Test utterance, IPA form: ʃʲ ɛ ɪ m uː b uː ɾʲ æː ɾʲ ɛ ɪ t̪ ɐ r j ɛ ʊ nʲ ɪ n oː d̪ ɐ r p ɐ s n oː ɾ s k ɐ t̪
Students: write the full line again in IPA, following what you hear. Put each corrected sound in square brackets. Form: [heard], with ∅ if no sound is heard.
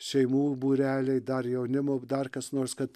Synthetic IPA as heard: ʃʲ ɛ ɪ m uː b uː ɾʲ æː [lʲ] ɛ ɪ [d̪] ɐ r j ɛ ʊ nʲ ɪ [m] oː d̪ ɐ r [k] ɐ s n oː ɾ s k ɐ t̪